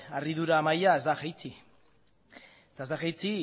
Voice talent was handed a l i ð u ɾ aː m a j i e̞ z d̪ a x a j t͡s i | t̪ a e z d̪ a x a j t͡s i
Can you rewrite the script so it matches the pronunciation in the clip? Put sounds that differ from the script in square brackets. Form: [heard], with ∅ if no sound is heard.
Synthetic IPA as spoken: a [r] i ð u ɾ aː m a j [a] e̞ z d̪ a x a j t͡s i | t̪ a e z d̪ a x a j t͡s i